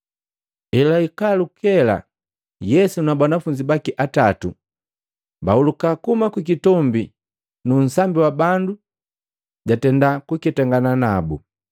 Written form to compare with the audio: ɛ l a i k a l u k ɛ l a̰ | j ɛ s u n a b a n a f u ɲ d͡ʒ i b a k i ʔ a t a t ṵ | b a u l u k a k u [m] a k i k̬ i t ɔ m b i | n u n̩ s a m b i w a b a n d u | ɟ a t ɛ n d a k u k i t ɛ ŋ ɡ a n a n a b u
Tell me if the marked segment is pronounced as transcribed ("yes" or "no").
yes